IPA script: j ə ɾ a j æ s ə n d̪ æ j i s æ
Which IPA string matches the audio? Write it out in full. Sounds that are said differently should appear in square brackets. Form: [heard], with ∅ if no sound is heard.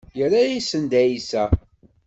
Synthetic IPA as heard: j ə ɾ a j [i] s ə n d̪ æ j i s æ